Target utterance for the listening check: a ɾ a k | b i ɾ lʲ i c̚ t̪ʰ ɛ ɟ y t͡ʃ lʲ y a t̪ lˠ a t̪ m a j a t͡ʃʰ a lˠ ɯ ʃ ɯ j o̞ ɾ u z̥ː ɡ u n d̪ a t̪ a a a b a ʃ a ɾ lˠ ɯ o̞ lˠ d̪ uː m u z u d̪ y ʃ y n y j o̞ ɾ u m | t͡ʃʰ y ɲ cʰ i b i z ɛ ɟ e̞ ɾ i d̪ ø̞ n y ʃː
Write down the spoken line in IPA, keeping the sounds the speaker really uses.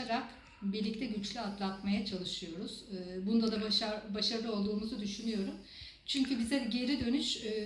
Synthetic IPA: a ɾ a k | b i ɾ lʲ i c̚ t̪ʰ ɛ ɟ y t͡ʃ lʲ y a t̪ lˠ a t̪ m a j a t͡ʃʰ a lˠ ɯ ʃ ɯ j o̞ ɾ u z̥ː b u n d̪ a d̪ a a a b a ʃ a ɾ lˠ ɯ o̞ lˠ d̪ uː m u z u d̪ y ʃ y n y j o̞ ɾ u m | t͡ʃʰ y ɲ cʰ y b i z ɛ ɟ e̞ ɾ i d̪ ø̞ n y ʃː